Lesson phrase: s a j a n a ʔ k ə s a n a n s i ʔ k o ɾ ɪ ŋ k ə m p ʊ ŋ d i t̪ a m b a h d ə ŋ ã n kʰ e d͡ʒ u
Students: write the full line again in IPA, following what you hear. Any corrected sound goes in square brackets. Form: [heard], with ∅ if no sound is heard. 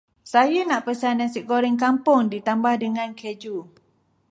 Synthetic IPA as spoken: s a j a n a ʔ [p] ə s a n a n s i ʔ k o ɾ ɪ ŋ k [a] m p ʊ ŋ d i t̪ a m b a h d ə ŋ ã n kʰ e d͡ʒ u